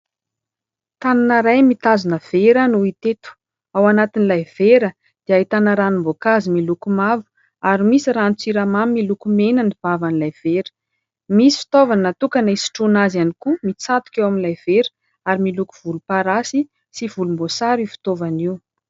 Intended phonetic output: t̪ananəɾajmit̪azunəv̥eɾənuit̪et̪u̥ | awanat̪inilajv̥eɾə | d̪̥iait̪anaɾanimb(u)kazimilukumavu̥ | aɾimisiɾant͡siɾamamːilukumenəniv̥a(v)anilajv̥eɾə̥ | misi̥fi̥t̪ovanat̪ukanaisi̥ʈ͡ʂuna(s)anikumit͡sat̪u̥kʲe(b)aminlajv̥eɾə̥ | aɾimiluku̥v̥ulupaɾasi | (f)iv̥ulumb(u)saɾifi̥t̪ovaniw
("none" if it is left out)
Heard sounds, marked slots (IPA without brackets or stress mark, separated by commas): o, v, z, w, s, o